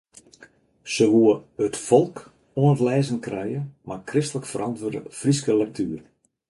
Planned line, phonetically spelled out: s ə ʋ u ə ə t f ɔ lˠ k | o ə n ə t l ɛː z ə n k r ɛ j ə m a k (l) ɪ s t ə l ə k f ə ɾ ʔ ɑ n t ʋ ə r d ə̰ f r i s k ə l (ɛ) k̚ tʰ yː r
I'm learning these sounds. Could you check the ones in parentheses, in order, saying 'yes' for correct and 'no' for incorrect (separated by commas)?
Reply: no, yes